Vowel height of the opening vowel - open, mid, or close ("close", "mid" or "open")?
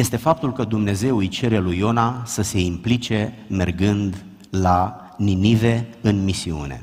mid